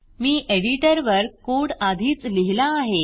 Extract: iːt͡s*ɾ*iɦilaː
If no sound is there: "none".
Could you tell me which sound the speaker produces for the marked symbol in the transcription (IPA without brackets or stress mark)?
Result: l